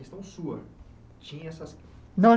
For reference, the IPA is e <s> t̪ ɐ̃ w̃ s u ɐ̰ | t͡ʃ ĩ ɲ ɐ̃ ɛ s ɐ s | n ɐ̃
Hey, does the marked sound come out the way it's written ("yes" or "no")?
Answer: yes